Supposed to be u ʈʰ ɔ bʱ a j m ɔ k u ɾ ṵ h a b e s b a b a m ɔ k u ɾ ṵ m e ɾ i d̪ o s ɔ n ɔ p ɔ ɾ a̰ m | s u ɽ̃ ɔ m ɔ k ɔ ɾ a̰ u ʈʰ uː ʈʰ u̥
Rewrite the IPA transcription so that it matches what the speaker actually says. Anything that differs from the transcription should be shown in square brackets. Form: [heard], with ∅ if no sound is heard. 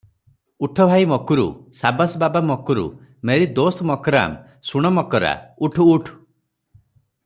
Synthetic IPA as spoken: u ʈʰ ɔ bʱ a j m ɔ k u ɾ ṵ [s] a b [a] s b a b a m ɔ k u ɾ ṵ m e ɾ i d̪ o s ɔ [m] ɔ [k] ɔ ɾ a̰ m | s u ɽ̃ ɔ m ɔ k ɔ ɾ a̰ u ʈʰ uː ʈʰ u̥